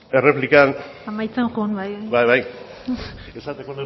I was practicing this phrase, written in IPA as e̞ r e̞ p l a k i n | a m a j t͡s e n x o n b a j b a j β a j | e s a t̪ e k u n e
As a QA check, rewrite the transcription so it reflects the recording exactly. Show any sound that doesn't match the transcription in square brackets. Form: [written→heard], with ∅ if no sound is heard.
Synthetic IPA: e̞ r e̞ p l [a→i] k [i→a] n | a m a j t͡s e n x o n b a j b a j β a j | e s a t̪ e k [u→o] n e